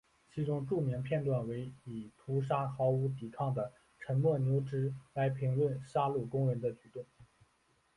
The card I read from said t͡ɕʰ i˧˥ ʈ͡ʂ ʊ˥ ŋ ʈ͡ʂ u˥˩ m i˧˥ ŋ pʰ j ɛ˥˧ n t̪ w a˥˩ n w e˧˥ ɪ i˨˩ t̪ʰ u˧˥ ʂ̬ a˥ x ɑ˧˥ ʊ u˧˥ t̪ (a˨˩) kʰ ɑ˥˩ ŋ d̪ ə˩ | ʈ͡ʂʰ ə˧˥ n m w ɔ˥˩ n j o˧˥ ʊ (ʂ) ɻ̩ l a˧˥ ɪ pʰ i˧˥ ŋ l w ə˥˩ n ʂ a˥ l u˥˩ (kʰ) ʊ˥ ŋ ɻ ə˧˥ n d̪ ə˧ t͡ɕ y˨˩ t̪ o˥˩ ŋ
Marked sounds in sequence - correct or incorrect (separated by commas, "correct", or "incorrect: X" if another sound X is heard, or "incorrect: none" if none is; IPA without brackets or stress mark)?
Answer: incorrect: i˨˩, incorrect: ʈ͡ʂ, incorrect: k